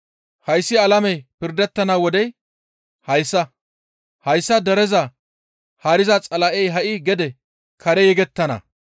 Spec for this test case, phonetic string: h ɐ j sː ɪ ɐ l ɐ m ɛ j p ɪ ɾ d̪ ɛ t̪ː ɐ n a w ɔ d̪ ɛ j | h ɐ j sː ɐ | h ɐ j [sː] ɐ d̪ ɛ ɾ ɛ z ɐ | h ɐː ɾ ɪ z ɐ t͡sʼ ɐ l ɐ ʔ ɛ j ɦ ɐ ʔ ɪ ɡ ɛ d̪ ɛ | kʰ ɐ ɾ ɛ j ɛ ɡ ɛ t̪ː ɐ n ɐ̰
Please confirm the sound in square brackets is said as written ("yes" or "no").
yes